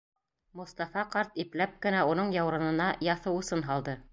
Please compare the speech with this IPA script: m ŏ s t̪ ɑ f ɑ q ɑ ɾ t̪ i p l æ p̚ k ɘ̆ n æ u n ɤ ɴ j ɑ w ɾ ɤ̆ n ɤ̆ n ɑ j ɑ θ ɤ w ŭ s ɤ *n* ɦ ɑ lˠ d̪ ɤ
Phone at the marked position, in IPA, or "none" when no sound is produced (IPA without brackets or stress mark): n